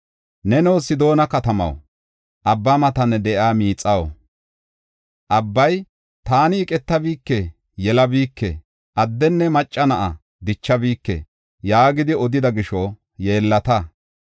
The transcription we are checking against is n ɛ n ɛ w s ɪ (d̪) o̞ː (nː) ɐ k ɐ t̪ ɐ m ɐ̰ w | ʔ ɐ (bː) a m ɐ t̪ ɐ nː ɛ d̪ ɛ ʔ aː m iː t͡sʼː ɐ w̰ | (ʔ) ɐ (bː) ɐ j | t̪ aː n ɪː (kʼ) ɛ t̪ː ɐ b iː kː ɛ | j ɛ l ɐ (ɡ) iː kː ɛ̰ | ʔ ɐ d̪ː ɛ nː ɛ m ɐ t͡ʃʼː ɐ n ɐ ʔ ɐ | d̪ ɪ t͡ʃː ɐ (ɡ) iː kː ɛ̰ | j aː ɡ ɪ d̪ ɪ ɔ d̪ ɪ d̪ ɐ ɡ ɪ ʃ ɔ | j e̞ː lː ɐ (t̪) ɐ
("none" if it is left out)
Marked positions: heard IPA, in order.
d̪, n, bː, ʔ, bː, kʼ, b, b, t̪

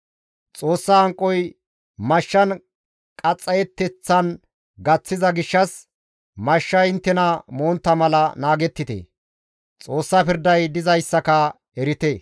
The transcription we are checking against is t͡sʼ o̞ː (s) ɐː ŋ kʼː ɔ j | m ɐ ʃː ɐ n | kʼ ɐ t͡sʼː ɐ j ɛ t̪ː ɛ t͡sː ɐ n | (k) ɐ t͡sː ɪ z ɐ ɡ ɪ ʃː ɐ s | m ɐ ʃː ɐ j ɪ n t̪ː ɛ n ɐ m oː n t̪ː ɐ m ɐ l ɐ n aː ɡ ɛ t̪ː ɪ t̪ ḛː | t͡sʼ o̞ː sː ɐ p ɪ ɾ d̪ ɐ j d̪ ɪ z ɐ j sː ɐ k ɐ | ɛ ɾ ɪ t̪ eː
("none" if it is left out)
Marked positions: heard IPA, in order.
sː, ɡ

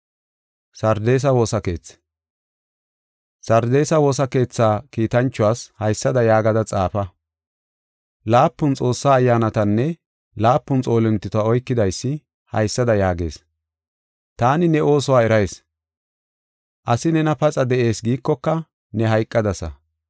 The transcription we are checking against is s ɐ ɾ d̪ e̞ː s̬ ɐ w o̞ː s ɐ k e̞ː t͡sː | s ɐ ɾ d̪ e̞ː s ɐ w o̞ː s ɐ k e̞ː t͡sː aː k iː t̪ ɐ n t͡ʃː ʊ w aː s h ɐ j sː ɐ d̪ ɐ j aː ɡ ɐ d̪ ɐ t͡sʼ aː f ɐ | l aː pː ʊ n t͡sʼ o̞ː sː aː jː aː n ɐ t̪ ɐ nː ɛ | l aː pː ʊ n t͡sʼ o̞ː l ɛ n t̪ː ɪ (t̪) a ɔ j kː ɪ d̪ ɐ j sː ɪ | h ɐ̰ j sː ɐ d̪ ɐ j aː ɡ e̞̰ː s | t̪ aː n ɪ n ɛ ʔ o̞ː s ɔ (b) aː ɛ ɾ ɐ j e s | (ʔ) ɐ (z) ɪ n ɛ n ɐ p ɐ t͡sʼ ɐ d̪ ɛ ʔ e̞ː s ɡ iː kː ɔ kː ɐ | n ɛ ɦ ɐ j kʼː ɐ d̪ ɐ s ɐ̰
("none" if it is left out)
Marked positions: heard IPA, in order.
t̪, w, ʔ, s

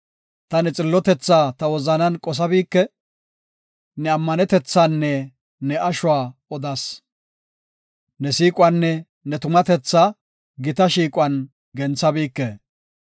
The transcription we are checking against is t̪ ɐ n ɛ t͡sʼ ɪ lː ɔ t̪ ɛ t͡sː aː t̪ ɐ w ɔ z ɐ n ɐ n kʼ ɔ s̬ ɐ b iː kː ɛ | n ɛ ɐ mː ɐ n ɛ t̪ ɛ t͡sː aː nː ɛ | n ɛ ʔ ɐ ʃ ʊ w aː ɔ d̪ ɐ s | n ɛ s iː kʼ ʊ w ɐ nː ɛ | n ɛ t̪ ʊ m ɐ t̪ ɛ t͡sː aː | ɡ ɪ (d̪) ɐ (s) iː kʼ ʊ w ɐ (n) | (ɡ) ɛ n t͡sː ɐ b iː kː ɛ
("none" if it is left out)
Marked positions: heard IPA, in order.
t̪, ʃ, n, ɡ

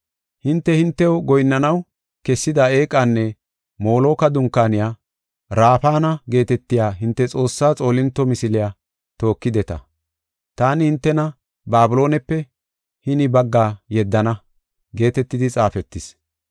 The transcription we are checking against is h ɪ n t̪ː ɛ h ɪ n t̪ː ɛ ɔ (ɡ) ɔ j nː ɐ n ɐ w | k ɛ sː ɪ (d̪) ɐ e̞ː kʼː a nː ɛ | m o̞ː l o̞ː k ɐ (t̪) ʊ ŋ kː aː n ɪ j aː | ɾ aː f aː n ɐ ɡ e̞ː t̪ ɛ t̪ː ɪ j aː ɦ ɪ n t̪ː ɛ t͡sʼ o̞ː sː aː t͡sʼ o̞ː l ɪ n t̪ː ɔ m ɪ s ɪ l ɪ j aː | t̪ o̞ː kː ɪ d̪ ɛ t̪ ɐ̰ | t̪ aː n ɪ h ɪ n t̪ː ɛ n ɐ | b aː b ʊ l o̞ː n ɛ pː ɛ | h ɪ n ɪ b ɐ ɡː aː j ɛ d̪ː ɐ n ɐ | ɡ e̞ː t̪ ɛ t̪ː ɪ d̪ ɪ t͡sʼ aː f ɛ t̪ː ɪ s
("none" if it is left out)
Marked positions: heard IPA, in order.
ɡ, d̪, d̪

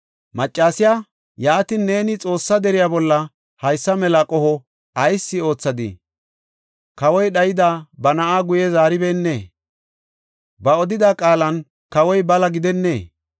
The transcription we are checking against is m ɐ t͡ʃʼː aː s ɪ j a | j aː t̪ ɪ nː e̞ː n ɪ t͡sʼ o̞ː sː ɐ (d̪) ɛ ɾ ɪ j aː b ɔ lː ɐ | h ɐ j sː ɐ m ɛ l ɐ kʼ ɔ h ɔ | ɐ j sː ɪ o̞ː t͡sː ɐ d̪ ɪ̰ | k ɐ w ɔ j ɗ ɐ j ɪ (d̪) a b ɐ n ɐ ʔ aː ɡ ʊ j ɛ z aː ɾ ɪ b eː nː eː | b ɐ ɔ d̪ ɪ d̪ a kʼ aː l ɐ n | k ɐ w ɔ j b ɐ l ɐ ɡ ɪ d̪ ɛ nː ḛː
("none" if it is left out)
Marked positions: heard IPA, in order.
d̪, d̪

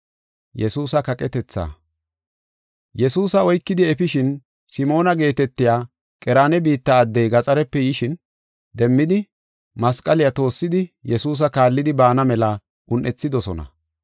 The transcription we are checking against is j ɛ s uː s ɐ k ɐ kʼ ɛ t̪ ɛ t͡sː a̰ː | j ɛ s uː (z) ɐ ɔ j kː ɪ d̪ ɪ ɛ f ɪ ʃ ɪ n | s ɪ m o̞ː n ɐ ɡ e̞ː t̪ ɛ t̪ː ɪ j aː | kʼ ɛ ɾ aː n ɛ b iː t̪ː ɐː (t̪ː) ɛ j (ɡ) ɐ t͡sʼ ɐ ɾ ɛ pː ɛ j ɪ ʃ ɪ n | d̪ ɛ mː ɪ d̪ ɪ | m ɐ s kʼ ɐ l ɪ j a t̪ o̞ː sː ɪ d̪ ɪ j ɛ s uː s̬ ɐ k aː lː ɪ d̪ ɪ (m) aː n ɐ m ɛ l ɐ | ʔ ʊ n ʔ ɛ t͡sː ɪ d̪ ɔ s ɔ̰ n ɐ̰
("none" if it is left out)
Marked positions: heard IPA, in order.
s, d̪ː, ɡ, b

